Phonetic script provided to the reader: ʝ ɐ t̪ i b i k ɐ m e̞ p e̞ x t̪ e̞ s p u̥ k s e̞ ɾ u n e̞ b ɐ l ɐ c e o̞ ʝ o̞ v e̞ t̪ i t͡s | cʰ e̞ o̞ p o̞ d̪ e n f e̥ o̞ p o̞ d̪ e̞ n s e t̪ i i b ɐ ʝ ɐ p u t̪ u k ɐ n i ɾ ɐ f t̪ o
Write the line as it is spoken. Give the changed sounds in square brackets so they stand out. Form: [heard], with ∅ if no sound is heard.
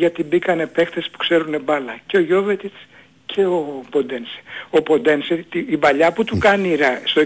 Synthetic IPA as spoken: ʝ ɐ t̪ i b i k ɐ [n] e̞ p e̞ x t̪ e̞ s p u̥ k s e̞ ɾ u n e̞ b ɐ l ɐ c e o̞ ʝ o̞ v e̞ t̪ i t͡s | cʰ e̞ o̞ p o̞ d̪ e n [s] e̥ o̞ p o̞ d̪ e̞ n s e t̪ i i b ɐ [ʎ] ɐ p u t̪ u k ɐ n i ɾ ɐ [s] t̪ o